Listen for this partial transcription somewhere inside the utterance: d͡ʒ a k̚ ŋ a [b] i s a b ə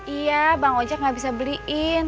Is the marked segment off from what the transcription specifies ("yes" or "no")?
no